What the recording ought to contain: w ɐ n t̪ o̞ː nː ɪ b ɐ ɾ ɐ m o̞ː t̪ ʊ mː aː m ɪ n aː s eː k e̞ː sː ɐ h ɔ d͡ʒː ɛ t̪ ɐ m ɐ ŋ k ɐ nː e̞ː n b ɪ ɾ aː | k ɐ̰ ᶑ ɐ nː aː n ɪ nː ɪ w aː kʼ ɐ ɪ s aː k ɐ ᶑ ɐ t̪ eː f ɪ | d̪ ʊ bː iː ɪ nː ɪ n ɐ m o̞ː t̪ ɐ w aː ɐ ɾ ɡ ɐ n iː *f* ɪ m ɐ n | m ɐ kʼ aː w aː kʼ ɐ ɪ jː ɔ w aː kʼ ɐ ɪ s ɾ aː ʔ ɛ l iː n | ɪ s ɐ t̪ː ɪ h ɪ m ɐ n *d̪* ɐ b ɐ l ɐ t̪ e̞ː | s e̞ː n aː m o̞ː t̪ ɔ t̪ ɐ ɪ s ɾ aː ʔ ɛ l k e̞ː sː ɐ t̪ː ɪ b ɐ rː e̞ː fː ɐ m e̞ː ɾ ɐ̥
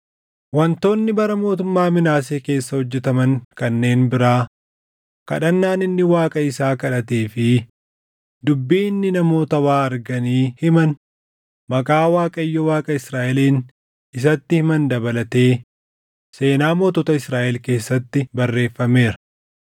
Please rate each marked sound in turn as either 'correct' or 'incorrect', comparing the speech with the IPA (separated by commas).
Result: incorrect, correct